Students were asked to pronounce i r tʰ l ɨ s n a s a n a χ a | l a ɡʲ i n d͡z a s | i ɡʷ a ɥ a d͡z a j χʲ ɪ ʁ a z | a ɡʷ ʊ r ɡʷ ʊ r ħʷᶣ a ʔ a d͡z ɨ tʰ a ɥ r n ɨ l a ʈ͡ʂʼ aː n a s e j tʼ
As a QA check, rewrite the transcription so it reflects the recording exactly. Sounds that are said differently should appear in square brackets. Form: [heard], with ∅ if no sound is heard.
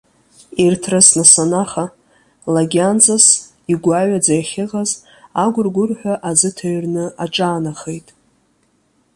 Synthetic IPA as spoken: i r tʰ [r] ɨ s n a s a n a χ a | l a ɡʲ [a] n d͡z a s | i ɡʷ a ɥ a d͡z a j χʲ ɪ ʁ a z | a ɡʷ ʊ r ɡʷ ʊ r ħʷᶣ a ʔ a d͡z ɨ tʰ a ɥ r n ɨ [∅] a ʈ͡ʂʼ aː n a [χ] e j tʼ